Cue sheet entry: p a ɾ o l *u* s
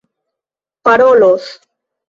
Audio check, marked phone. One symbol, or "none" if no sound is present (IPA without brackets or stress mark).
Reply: o